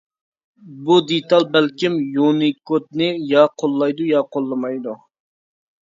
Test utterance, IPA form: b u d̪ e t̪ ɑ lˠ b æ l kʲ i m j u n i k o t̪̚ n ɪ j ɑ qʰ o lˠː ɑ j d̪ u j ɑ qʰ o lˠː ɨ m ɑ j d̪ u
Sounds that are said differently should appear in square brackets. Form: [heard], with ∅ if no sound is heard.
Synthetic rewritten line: b u d̪ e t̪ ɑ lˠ b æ l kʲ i m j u n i k o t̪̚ n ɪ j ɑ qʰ o lˠː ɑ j d̪ u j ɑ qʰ o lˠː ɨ m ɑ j d̪ u